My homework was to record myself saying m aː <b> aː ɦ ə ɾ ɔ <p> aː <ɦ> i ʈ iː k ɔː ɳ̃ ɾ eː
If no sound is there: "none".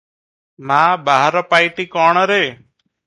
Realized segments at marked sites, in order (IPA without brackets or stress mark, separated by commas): b, p, none